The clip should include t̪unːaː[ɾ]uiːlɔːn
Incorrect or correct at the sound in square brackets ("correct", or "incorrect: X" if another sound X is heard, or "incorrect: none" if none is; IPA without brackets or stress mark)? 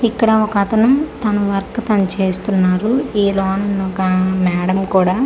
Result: correct